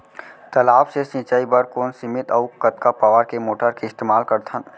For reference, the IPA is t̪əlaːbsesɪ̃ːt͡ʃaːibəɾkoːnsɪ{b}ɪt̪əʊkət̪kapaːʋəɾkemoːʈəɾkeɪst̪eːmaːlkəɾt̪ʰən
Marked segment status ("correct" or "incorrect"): incorrect